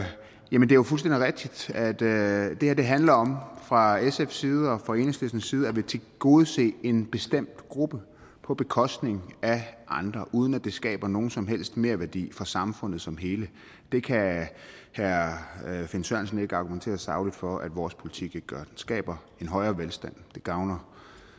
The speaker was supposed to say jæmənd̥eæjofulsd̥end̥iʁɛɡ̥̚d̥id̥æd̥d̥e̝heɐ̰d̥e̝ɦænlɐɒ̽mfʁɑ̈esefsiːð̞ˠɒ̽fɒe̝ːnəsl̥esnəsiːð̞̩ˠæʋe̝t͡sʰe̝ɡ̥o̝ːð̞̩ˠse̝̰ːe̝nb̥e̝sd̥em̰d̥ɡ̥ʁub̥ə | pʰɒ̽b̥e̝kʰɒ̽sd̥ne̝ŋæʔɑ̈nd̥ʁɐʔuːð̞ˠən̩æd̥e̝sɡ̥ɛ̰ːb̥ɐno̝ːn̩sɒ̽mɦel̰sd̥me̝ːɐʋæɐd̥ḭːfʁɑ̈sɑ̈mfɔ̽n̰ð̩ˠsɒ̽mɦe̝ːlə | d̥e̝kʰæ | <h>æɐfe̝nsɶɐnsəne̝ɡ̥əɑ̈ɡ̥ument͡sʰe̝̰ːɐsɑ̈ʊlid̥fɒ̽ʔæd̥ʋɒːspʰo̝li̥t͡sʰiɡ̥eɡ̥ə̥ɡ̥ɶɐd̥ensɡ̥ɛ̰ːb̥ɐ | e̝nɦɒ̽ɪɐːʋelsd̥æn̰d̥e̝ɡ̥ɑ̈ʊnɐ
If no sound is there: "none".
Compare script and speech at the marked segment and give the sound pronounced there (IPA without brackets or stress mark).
h